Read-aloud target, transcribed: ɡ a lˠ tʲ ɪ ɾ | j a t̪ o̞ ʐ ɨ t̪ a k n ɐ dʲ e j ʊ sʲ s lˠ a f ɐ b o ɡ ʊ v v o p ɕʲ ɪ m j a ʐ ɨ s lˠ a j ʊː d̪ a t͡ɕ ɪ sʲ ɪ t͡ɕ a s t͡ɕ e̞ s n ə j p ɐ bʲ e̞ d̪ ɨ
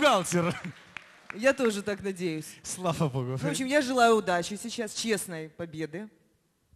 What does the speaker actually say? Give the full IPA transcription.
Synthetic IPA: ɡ a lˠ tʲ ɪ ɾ | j a t̪ o̞ ʐ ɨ t̪ a k n ɐ dʲ e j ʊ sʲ s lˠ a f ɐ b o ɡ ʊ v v o p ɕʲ ɪ m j a ʐ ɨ lˠ a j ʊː d̪ a t͡ɕ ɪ sʲ ɪ t͡ɕ a s t͡ɕ e̞ s n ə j p ɐ bʲ e̞ d̪ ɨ

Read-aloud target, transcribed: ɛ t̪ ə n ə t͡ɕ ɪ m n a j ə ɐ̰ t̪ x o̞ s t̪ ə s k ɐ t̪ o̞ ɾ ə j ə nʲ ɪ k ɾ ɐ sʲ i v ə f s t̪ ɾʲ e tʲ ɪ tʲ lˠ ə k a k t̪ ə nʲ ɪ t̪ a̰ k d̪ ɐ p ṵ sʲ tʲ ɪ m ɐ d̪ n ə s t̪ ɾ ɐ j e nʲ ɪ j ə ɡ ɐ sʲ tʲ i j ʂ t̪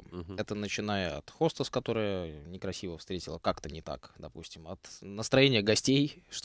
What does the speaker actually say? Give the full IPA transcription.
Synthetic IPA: ɛ t̪ ə n ə t͡ɕ ɪ n a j ə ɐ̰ t̪ x o̞ s t̪ ə s k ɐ t̪ o̞ ɾ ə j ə nʲ ɪ k ɾ ɐ sʲ i v ə f s t̪ ɾʲ e tʲ ɪ lˠ ə k a k t̪ ə nʲ ɪ t̪ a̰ k d̪ ɐ p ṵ sʲ tʲ ɪ m ɐ t̪ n ə s t̪ ɾ ɐ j e nʲ ɪ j ə ɡ ɐ sʲ tʲ e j ʂ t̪

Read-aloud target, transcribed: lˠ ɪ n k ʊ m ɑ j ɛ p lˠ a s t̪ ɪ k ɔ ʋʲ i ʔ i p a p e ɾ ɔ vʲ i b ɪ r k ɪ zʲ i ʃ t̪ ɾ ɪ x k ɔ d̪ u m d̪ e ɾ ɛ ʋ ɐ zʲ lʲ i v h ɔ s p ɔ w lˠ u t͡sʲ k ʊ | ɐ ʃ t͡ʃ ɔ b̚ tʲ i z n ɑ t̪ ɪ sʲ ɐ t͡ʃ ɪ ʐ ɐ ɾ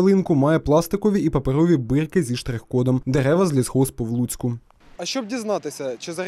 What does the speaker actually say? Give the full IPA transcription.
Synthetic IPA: lˠ ɪ n k ʊ m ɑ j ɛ p lˠ ɑ s t̪ ɪ k ɔ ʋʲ i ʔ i p ɐ p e ɾ ɔ ʋʲ i b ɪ r k ɪ zʲ i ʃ t̪ ɾ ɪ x k ɔ d̪ ɔ m d̪ e ɾ ɛ ʋ ɐ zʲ lʲ i z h ɔ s p ɔ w lˠ u t͡sʲ k ʊ | ɐ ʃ t͡ʃ ɔ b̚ dʲ i z n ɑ t̪ ɪ sʲ ɐ t͡ʃ ɪ z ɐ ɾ

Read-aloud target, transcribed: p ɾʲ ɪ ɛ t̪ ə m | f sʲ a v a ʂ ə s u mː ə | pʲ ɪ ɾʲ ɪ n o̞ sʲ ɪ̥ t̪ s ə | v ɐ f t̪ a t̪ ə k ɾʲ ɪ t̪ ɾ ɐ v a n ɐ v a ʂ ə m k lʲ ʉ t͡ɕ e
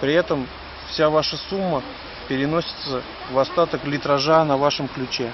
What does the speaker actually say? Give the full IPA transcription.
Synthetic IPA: p ɾʲ ɪ ɛ t̪ ə m | f sʲ a v a ʂ ə s u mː ə | pʲ ɪ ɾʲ ɪ n o̞ sʲ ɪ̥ t̪ s ə | v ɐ s t̪ a t̪ ə k lʲ ɪ t̪ ɾ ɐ ʐ a n ɐ v a ʂ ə m k lʲ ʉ t͡ɕ e

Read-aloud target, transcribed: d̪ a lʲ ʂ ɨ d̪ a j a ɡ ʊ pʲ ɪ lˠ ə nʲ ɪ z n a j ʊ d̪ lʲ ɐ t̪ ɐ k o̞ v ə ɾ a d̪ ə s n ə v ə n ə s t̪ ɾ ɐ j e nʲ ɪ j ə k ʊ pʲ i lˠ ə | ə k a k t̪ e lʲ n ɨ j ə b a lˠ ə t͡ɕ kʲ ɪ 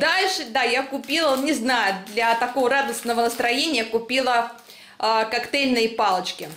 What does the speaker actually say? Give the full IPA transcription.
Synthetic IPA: d̪ a lʲ ʂ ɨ d̪ a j a k ʊ pʲ i lˠ ə nʲ ɪ z n a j ʊ d̪ lʲ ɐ t̪ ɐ k o̞ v ə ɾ a d̪ ə s n ə v ə n ə s t̪ ɾ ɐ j e nʲ ɪ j ə k ʊ pʲ i lˠ ə | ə k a k t̪ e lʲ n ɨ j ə p a lˠ ə t͡ɕ kʲ ɪ

